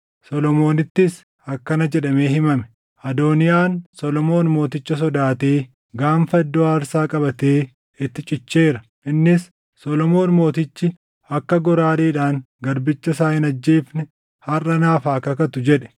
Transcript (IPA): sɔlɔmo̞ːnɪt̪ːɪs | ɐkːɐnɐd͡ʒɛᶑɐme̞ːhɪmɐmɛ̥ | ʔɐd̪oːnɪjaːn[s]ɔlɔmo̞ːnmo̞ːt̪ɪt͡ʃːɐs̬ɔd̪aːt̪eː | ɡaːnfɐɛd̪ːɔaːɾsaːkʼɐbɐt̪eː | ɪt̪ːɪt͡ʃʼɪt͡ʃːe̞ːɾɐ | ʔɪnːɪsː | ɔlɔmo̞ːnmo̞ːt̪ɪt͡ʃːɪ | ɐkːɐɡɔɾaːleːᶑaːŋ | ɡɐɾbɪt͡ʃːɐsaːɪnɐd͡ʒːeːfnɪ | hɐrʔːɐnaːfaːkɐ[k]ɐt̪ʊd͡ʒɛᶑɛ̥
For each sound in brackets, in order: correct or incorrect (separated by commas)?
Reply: correct, correct